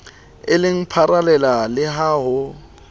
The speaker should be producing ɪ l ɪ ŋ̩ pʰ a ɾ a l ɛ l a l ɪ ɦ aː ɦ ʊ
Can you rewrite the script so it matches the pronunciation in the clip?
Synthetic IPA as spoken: ɪ l ɪ ŋ̩ pʰ a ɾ a l ɛ l a l ɪ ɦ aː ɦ ʊ